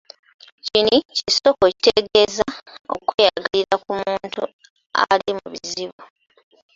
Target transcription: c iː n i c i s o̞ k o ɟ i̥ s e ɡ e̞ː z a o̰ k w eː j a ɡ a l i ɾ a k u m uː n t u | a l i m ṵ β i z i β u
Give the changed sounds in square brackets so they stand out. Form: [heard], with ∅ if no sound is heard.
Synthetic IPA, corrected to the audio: c [i] n i c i s o̞ k o [c] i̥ [t] e ɡ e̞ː z a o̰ k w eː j a ɡ a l i ɾ a k u m uː n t u | a l i m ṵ β i z i β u